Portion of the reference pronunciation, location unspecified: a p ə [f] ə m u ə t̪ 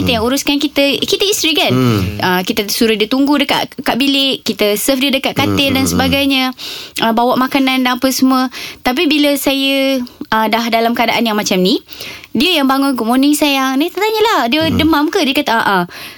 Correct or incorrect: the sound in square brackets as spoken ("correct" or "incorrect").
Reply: incorrect